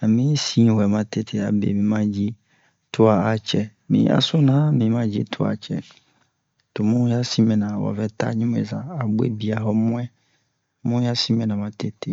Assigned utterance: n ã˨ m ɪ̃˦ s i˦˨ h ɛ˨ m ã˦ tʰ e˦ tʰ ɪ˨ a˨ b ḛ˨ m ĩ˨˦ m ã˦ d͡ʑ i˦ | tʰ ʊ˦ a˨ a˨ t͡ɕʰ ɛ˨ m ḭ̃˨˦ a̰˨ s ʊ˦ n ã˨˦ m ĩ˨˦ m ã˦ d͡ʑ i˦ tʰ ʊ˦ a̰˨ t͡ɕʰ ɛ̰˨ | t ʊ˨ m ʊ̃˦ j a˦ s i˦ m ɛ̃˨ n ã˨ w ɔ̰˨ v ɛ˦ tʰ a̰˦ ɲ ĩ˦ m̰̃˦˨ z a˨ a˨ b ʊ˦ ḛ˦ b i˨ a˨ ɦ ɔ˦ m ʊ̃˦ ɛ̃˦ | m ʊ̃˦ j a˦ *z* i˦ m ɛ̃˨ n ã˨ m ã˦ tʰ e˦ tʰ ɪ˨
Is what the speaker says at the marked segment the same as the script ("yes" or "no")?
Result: no